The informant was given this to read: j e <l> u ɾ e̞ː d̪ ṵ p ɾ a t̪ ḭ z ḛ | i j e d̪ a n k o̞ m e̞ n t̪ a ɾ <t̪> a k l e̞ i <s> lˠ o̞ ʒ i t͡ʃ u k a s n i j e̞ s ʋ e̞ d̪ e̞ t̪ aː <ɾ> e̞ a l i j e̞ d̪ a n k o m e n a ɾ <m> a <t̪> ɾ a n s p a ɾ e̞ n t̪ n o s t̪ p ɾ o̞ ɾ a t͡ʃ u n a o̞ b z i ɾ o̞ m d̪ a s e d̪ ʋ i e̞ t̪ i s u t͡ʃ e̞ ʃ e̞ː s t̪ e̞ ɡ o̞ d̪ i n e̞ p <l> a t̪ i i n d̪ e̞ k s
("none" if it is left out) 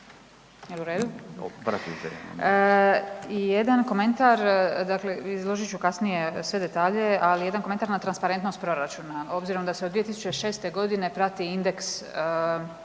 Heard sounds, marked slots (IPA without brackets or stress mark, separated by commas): l, d̪, z, ʎ, n, t̪, ɾ